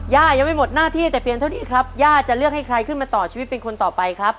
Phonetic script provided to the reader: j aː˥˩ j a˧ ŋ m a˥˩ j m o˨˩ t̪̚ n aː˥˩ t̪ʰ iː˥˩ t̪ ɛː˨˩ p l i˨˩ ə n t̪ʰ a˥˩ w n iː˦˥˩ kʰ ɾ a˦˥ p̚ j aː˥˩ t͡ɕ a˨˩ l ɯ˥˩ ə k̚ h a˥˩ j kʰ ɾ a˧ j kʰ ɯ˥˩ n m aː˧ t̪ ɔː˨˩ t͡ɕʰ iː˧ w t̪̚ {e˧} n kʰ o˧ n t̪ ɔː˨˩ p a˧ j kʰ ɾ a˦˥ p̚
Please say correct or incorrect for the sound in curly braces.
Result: correct